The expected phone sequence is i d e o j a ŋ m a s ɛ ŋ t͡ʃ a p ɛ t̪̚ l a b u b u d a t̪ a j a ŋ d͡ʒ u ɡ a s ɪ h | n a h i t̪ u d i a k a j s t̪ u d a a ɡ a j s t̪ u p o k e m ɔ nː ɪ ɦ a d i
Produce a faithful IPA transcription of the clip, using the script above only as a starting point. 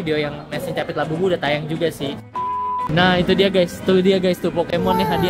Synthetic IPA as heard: i d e o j a ŋ m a s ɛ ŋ t͡ʃ a p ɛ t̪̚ l a b u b u d a t̪ a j a ŋ d͡ʒ u ɡ a s ɪ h | n a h i t̪ u d i a ɡ a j s t̪ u d i a ɡ a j s t̪ u p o k e m ɔ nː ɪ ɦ a d i